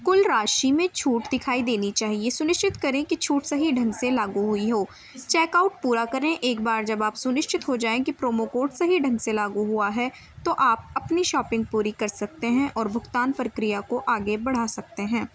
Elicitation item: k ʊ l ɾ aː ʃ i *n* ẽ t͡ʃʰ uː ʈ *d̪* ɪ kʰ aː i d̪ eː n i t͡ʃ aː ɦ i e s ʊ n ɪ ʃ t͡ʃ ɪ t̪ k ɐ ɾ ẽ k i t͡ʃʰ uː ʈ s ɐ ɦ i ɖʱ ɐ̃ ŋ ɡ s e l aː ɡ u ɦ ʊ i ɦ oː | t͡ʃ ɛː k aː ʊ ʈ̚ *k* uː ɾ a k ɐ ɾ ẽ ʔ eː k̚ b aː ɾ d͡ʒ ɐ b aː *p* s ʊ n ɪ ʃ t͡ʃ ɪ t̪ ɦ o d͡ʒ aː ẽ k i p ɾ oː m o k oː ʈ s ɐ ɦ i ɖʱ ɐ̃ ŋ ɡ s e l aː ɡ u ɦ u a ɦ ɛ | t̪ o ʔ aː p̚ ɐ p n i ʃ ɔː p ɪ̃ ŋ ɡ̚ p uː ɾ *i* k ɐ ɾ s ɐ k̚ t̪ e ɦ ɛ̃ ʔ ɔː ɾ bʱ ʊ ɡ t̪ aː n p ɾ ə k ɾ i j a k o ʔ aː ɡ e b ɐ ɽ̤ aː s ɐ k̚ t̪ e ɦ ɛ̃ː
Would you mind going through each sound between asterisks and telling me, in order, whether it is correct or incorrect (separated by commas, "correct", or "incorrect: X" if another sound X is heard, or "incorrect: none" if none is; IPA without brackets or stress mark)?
incorrect: m, correct, incorrect: p, correct, correct